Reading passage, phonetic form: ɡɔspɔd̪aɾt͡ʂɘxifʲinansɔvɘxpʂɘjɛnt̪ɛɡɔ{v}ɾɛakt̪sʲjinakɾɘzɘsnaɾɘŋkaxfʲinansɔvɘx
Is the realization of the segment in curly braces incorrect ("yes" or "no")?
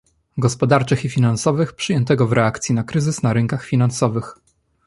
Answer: no